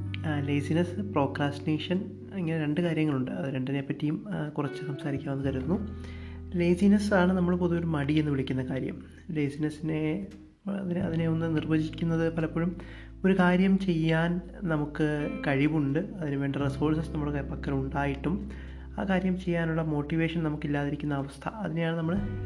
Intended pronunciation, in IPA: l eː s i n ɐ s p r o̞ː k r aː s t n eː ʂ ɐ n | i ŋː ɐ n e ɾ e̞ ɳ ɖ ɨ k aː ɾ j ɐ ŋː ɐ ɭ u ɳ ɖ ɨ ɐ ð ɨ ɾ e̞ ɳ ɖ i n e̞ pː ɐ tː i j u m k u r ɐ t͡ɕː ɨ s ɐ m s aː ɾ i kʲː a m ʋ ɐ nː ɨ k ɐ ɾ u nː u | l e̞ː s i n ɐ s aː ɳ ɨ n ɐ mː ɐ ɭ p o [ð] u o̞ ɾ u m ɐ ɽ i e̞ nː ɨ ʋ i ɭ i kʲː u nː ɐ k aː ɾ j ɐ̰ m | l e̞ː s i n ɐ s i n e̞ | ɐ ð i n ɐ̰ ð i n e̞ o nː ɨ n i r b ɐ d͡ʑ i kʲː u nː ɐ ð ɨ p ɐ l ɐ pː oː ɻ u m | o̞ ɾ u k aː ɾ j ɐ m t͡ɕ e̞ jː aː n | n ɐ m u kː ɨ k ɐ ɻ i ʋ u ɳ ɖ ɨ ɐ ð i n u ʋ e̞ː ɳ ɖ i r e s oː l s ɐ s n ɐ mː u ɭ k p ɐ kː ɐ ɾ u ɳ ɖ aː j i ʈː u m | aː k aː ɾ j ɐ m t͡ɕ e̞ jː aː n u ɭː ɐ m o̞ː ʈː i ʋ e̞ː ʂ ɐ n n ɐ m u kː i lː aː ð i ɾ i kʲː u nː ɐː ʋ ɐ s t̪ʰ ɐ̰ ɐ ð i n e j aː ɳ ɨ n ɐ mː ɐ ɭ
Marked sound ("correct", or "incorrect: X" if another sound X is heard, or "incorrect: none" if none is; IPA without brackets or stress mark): correct